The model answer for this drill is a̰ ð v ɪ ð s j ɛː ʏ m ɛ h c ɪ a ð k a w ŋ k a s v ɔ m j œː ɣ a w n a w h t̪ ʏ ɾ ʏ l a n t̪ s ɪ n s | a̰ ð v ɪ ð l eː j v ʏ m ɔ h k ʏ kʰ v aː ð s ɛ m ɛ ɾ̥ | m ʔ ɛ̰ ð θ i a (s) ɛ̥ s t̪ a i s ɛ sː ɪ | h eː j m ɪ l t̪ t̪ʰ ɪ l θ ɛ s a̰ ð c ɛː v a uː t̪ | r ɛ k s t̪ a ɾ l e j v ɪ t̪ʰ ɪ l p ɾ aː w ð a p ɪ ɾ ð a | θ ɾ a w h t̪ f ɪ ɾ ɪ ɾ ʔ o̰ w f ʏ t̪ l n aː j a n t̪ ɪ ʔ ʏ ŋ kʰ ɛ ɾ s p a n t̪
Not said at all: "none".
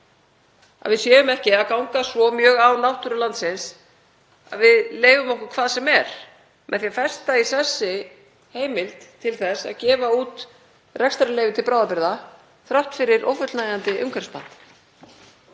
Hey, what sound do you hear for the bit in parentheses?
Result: f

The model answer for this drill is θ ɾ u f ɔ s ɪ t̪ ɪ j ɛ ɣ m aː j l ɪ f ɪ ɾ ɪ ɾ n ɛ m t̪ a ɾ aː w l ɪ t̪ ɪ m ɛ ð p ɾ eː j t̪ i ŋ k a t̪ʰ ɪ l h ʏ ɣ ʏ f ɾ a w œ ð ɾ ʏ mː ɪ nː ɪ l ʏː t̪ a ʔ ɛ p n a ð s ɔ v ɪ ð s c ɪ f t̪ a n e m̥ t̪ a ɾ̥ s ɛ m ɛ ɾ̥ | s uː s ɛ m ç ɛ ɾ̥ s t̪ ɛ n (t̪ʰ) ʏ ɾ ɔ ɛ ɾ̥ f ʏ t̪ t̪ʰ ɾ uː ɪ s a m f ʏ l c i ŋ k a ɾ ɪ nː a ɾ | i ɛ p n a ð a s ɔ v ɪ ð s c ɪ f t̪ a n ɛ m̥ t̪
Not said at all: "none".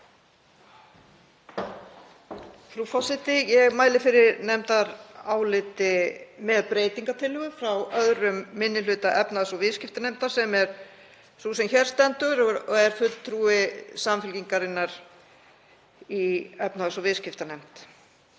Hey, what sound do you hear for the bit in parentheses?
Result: t̪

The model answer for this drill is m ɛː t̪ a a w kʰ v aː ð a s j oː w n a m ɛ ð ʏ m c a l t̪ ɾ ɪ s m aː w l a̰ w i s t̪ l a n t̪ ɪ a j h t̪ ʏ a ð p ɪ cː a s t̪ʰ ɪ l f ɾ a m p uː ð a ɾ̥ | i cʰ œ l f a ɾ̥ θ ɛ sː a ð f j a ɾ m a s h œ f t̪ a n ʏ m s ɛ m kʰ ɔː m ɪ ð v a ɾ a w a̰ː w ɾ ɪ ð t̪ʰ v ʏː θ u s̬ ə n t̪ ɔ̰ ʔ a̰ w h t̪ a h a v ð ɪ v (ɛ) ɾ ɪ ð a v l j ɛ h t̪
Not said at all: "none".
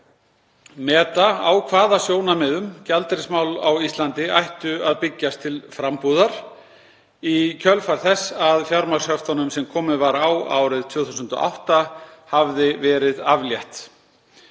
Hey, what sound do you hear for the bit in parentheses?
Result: ɛː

